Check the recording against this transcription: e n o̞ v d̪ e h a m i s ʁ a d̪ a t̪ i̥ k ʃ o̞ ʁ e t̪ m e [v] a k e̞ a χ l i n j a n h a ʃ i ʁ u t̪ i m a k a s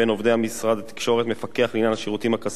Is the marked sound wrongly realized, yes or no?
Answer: yes